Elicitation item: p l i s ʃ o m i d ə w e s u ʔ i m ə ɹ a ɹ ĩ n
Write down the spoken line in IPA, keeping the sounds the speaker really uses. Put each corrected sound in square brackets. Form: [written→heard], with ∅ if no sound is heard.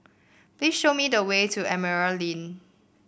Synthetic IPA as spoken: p l i s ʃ o m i d ə w e [s→t] u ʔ [i→ɛ] m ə ɹ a [ɹ→l] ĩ n